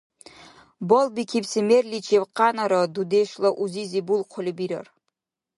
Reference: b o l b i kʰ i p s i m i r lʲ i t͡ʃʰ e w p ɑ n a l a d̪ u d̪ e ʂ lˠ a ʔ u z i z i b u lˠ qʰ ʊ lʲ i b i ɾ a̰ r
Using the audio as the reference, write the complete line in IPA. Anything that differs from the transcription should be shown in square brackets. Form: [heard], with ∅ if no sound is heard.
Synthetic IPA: b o l b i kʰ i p s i m [e] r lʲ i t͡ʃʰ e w [q] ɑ n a [ɾ] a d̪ u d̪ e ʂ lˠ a ʔ u z i z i b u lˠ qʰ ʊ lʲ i b i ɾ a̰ r